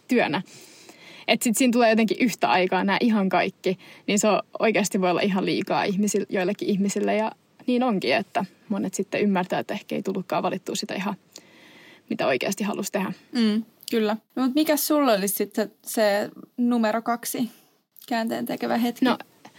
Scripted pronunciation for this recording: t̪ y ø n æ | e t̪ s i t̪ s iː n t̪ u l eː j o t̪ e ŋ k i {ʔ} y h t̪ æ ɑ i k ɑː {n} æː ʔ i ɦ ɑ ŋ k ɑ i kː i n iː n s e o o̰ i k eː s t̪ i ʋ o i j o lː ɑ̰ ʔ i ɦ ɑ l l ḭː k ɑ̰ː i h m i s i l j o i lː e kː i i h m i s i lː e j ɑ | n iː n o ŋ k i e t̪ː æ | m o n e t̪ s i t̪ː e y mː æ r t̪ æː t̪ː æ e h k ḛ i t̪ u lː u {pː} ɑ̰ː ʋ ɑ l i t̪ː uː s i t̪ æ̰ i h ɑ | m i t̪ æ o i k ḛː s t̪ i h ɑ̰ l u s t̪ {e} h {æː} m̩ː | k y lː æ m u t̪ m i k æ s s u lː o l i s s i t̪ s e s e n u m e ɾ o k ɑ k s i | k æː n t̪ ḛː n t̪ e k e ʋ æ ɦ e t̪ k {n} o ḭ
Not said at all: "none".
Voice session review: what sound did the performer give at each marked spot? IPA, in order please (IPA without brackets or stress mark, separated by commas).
ʔ, n, kː, e, æ, n